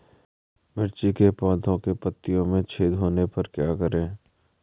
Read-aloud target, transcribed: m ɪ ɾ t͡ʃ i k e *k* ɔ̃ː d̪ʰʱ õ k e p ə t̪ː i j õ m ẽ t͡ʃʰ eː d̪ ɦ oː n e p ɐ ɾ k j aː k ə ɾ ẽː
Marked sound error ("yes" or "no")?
yes